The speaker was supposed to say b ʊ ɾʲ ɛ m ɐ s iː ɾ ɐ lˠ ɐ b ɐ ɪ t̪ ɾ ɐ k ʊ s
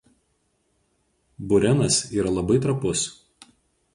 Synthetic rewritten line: b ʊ ɾʲ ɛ n ɐ s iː ɾ ɐ lˠ ɐ b ɐ ɪ t̪ ɾ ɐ p ʊ s